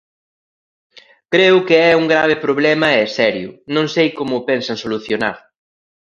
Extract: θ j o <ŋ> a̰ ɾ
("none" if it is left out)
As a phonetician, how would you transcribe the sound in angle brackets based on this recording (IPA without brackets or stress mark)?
n